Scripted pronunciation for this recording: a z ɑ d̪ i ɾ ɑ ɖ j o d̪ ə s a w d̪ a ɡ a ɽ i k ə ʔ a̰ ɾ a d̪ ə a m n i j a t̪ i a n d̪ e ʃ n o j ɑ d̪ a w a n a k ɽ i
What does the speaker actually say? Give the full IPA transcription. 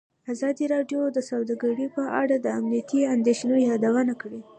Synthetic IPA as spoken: a z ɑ d̪ i ɾ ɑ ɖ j o d̪ ə s a w d̪ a ɡ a ɽ i p ə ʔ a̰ ɽ a d̪ ə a m n i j a t̪ i a n d̪ e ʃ n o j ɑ d̪ a w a n a k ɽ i